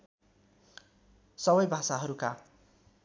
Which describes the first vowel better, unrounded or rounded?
unrounded